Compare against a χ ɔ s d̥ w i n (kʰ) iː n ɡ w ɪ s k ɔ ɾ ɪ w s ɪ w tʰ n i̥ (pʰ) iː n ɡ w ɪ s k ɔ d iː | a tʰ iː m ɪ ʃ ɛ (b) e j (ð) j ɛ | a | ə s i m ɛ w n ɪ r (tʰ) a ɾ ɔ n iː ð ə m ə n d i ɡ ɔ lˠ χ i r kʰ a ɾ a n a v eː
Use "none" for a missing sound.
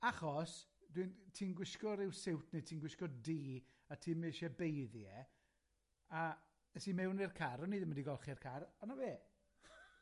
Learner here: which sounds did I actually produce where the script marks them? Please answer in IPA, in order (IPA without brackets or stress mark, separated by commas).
tʰ, tʰ, b, ð, kʰ